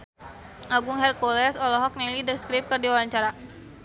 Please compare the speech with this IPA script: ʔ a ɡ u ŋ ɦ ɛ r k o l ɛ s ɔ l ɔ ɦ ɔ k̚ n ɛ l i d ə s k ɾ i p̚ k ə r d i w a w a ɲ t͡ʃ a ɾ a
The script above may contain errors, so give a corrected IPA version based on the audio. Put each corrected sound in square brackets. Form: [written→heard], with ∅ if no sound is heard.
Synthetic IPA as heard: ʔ a ɡ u ŋ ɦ ɛ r k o l ɛ s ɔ l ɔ ɦ ɔ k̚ n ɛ l i d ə s k ɾ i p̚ k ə r d i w a w a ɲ t͡ʃ a ɾ a